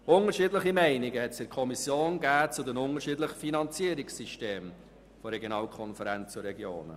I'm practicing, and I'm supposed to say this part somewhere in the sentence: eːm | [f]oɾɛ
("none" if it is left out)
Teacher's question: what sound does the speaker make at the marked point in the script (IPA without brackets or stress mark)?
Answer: f